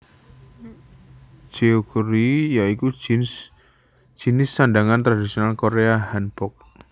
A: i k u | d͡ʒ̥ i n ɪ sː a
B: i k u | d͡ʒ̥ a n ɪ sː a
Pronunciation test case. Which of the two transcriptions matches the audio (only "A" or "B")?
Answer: A